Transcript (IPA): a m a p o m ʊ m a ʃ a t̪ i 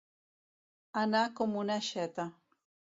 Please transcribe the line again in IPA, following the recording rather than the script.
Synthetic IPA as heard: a n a k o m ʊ n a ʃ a t̪ a